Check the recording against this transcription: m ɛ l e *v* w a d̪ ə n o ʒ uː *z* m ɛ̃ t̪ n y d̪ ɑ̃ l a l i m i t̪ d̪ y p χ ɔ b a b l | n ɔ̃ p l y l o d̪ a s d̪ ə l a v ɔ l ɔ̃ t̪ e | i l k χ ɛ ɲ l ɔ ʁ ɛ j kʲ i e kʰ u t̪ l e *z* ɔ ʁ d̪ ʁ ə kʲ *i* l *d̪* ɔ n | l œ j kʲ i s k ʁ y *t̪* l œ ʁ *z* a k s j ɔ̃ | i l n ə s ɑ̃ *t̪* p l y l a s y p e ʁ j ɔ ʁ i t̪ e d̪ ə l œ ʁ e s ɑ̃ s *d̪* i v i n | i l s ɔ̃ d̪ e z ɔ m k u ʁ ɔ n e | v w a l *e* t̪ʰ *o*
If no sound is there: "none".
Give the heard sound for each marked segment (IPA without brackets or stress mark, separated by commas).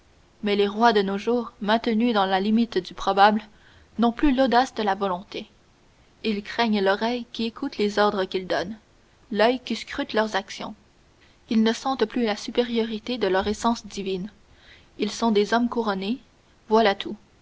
ʁ, ʁ, z, i, d̪, t̪, z, t̪, d̪, a, u